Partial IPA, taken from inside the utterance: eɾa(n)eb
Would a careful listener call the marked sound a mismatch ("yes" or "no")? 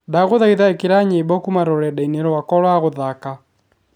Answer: yes